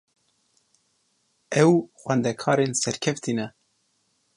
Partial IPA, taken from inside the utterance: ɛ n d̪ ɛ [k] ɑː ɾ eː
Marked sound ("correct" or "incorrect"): incorrect